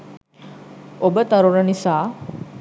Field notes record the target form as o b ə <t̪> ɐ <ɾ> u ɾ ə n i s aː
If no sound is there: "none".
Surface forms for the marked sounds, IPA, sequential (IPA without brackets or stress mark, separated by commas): t̪, ɾ